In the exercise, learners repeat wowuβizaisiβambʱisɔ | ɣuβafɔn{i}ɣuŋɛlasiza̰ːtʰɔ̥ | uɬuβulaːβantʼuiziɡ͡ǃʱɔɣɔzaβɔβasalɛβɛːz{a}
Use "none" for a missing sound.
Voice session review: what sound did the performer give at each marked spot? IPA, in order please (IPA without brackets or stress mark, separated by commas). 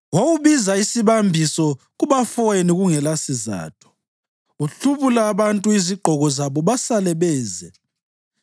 i, ɛ